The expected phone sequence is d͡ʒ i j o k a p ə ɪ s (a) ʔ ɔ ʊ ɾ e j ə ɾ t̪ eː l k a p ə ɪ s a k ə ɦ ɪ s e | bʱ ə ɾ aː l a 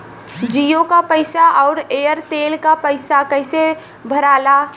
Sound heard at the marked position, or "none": a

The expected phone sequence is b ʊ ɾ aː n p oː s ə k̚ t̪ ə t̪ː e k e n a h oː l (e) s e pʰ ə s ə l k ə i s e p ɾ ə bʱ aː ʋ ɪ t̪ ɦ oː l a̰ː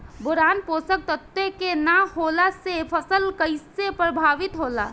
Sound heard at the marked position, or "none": a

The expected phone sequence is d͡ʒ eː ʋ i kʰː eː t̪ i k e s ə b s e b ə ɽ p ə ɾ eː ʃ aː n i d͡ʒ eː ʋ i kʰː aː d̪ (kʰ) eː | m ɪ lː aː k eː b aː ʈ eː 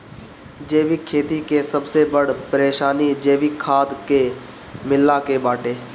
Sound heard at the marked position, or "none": k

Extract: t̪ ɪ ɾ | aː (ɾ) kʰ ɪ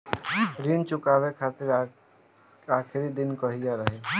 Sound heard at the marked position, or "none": none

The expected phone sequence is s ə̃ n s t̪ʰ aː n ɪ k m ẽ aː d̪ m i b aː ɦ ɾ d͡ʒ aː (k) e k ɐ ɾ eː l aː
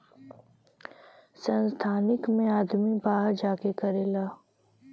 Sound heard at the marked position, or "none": k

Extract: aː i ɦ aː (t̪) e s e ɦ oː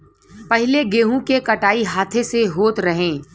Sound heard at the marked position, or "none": t̪ʰ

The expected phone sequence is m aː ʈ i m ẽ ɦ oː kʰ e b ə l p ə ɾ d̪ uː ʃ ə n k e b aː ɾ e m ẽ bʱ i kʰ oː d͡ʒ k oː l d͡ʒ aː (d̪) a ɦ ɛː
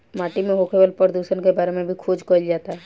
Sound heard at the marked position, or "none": t̪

